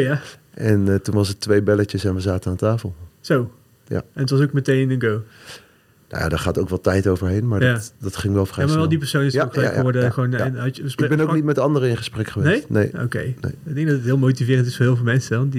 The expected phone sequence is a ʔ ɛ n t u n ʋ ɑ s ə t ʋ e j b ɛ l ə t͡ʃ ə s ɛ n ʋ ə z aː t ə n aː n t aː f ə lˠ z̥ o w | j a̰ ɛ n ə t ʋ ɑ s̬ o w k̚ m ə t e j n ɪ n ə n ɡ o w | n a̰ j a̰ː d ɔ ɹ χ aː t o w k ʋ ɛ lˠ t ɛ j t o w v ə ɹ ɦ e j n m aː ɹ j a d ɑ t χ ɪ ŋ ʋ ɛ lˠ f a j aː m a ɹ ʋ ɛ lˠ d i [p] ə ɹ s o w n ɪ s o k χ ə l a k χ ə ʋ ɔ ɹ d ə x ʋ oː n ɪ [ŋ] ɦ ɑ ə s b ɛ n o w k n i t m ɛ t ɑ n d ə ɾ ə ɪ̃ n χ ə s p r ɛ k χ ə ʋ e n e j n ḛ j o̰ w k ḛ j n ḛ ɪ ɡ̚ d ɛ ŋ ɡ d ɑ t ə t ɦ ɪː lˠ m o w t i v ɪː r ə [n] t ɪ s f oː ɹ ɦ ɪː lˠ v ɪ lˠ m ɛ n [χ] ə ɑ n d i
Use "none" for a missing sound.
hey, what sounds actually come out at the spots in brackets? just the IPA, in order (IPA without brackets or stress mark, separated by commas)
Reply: p, n, n, s